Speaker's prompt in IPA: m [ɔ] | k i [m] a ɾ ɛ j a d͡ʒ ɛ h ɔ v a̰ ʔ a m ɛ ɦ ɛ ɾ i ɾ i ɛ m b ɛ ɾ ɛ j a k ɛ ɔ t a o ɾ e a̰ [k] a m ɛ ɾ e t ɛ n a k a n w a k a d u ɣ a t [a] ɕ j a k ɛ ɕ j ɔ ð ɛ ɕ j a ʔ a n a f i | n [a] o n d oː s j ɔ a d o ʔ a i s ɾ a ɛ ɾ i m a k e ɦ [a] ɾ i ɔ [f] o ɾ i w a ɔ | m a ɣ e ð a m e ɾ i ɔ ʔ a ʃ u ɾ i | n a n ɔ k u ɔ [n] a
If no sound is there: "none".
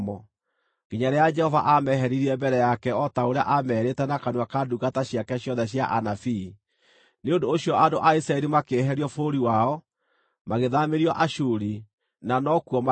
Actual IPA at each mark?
ɔ, ɲ, ʔ, a, e, ɛ, f, m

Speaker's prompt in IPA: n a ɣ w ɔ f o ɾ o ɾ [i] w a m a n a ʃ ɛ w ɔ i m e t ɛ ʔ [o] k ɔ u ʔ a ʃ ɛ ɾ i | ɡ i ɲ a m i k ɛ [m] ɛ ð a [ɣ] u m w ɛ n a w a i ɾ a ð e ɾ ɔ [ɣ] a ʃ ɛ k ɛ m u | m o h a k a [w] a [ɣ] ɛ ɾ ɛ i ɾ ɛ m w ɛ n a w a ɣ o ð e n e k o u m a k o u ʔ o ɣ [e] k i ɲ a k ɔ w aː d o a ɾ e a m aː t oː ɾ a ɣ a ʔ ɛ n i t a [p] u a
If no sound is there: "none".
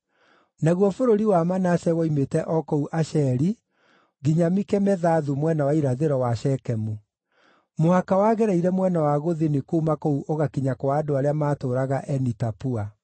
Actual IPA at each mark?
i, ɔ, m, ð, w, w, ɣ, a, p

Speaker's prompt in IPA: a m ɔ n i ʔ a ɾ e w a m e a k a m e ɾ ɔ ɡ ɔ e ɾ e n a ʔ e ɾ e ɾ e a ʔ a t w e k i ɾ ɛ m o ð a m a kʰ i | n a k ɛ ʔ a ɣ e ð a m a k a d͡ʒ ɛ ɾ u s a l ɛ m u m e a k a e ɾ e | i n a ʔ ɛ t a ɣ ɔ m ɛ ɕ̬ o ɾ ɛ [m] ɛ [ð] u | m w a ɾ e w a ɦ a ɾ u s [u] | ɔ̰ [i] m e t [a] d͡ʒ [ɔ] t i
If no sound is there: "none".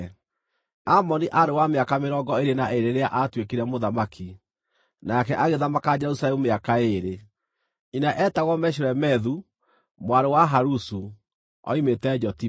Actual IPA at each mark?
m, ð, u, i, ɛ, ɔ

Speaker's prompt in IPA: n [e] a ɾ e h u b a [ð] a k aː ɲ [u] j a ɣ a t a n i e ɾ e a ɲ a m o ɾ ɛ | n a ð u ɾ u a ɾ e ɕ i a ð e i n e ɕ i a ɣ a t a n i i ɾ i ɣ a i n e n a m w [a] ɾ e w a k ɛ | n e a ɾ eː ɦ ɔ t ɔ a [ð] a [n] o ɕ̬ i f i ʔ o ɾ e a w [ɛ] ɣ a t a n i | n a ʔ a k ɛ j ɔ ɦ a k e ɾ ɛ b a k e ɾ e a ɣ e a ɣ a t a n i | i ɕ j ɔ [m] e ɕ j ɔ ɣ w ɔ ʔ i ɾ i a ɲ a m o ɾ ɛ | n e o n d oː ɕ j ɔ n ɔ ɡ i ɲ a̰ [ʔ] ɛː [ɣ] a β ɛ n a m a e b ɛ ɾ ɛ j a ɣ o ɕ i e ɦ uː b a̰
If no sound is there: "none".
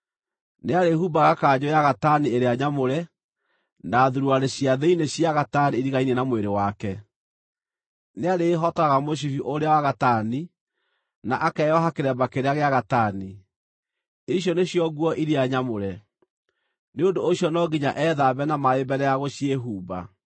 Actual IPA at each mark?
e, ɣ, o, e, ɣ, m, a, n, ʔ, ð

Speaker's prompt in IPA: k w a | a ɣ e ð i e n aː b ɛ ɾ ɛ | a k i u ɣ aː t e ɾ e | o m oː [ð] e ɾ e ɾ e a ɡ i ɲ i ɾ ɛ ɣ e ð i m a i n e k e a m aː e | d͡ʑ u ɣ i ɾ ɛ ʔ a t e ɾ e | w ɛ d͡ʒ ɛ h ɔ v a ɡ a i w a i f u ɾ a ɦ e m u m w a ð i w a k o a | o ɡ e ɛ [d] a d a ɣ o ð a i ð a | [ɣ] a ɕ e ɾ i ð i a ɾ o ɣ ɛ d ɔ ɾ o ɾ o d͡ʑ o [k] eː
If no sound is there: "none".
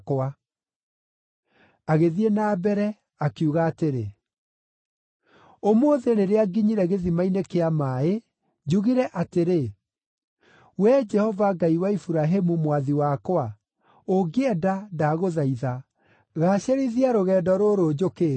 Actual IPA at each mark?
ð, d, ɣ, k

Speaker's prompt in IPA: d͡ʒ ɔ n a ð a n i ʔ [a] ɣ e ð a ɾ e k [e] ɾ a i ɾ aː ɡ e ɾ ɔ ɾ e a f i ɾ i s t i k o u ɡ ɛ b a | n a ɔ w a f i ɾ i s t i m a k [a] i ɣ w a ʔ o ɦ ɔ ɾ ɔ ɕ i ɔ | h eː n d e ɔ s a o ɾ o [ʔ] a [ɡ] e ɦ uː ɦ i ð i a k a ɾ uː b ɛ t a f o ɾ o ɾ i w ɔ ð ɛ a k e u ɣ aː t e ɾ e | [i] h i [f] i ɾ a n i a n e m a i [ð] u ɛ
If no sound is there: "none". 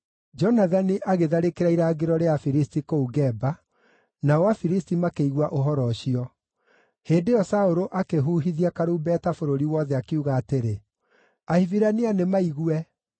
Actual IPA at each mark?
a, e, e, ʔ, k, a, v, ɣ

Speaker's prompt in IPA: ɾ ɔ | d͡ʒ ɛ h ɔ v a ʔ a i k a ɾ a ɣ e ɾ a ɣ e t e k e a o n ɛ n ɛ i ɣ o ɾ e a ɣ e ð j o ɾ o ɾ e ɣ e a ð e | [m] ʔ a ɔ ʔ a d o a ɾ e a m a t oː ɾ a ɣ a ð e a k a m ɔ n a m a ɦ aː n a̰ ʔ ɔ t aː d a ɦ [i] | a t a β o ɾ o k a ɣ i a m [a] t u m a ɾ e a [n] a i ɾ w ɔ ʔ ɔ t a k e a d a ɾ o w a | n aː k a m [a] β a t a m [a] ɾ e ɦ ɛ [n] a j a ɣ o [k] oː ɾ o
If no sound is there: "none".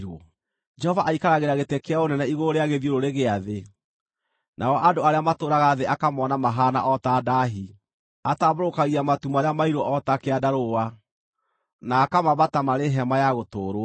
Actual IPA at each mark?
n, i, a, m, a, a, m, t

